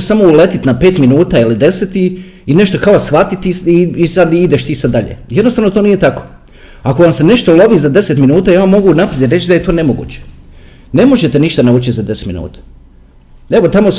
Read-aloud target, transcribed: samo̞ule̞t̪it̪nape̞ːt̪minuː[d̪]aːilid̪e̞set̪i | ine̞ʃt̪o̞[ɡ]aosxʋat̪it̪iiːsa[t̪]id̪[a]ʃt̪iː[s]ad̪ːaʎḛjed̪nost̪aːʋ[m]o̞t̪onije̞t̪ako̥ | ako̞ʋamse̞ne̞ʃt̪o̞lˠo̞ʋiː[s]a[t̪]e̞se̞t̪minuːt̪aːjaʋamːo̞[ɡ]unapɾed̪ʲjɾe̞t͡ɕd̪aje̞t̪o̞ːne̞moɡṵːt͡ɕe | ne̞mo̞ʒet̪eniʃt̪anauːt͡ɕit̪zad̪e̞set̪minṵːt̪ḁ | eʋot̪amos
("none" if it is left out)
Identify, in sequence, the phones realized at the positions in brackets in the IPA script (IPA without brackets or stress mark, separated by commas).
t̪, k, d̪, e, s, n, z, d̪, ɡ